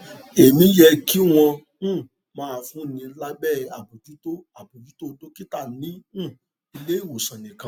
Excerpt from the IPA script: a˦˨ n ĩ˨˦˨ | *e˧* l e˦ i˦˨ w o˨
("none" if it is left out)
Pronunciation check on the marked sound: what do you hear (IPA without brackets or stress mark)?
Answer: i˧